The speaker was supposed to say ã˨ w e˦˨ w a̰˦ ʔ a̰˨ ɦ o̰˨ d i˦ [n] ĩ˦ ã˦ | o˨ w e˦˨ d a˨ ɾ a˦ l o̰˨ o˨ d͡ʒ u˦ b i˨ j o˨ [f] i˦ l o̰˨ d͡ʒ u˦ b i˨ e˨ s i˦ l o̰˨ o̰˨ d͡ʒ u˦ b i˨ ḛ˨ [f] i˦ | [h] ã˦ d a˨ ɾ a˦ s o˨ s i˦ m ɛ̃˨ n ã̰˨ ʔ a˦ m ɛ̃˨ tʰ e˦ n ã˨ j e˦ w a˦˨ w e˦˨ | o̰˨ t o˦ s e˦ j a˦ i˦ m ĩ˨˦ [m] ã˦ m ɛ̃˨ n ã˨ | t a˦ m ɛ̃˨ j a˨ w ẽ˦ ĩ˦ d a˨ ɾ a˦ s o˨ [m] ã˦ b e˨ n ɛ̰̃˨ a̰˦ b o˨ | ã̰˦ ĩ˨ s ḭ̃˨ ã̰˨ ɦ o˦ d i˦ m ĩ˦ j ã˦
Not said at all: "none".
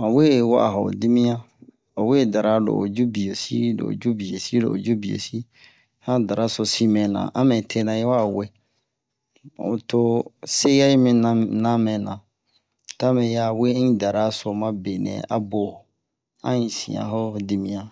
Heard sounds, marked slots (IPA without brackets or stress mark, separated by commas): m, s, s, h, n, m